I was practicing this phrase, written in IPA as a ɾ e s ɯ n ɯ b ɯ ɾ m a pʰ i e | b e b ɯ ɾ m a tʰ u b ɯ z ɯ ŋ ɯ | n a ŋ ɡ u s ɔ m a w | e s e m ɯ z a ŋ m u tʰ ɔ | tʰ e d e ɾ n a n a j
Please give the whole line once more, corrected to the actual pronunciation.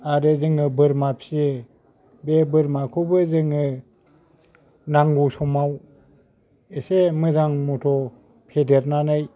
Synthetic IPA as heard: a ɾ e z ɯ ŋ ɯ b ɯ ɾ m a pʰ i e | b e b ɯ ɾ m a kʰ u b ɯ z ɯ ŋ ɯ | n a ŋ ɡ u s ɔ m a w | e s e m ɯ z a ŋ m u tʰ ɔ | pʰ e d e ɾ n a n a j